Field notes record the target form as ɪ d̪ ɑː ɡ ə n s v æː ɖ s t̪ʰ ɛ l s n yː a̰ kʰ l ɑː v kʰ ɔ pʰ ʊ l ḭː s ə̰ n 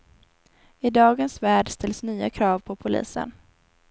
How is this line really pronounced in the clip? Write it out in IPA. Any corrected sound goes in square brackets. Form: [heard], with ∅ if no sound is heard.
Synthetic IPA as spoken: ɪ d̪ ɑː ɡ ə n s v æː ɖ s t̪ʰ ɛ l s n yː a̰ kʰ [ɾ] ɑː v [pʰ] ɔ pʰ ʊ l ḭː s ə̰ n